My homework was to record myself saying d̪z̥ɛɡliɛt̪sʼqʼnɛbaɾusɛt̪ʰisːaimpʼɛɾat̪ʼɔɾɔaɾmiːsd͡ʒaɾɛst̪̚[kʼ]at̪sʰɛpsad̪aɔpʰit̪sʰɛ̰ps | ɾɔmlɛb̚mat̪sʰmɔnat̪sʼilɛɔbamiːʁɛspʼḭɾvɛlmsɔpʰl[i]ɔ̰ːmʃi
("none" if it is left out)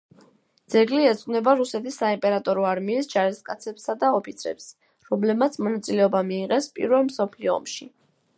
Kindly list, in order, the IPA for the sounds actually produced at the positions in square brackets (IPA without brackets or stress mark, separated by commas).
kʼ, i